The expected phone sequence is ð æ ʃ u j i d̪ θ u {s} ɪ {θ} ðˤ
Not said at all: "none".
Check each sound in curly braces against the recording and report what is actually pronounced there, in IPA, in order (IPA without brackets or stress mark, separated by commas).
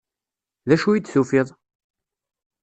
f, none